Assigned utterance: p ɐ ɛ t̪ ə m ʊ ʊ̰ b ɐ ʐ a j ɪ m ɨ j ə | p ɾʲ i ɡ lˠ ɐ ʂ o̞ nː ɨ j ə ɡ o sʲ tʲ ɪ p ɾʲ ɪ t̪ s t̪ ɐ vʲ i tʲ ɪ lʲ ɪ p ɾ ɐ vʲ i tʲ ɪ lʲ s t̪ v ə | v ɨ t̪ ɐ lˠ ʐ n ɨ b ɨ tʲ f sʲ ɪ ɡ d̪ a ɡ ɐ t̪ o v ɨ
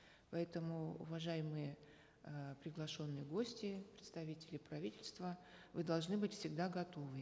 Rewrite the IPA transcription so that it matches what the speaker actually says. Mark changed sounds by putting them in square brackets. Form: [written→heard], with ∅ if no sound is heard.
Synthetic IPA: p ɐ ɛ t̪ ə m ʊ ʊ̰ [b→v] ɐ ʐ a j ɪ m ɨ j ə | p ɾʲ [i→ɪ] ɡ lˠ ɐ ʂ o̞ nː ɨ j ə ɡ o sʲ tʲ ɪ p ɾʲ ɪ t̪ s t̪ ɐ vʲ i tʲ ɪ lʲ ɪ p ɾ ɐ vʲ i tʲ ɪ lʲ s t̪ v ə | v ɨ [t̪→d̪] ɐ lˠ ʐ n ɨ b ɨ tʲ f sʲ ɪ ɡ d̪ a ɡ ɐ t̪ o v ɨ